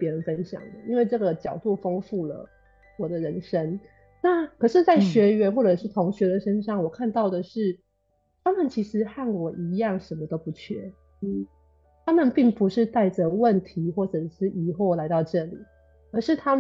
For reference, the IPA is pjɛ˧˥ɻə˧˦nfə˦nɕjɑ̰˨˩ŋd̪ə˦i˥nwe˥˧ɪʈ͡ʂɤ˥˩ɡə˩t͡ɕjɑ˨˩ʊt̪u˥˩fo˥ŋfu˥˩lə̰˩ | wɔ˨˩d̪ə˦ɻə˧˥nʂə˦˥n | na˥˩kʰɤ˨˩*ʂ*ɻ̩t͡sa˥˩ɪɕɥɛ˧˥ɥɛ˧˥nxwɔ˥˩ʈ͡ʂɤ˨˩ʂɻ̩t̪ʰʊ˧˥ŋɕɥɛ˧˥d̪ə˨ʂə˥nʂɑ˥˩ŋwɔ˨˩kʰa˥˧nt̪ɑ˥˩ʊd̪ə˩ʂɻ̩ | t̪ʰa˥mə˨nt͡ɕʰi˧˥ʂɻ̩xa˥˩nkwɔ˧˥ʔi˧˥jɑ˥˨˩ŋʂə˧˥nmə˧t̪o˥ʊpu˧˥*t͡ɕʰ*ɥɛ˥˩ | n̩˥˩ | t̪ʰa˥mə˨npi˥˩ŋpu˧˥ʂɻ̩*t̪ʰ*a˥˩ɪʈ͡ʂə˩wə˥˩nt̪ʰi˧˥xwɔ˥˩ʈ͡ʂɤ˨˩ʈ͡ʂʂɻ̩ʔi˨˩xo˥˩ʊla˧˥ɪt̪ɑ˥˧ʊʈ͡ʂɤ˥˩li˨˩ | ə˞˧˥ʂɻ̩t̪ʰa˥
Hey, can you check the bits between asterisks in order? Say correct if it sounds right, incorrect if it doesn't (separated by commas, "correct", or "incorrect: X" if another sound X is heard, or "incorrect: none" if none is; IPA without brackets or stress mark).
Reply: correct, correct, incorrect: t̪